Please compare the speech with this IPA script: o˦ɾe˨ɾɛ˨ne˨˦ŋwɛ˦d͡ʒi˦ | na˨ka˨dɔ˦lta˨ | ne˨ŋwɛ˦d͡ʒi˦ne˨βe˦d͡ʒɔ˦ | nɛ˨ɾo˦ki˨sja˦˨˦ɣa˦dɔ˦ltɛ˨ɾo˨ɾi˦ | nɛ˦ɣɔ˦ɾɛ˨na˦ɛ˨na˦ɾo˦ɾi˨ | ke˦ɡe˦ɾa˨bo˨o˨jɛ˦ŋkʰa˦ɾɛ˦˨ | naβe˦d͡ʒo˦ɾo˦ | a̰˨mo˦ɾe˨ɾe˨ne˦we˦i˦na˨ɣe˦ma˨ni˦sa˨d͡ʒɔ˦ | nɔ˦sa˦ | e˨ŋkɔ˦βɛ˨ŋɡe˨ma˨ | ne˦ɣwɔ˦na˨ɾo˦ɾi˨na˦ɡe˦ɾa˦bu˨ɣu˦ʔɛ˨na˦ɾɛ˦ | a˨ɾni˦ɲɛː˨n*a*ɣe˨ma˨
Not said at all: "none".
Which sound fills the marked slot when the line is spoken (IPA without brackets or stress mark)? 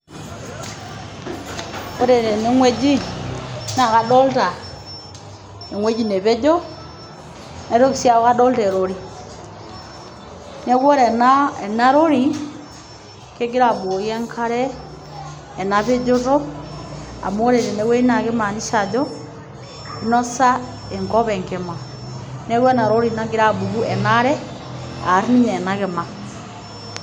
a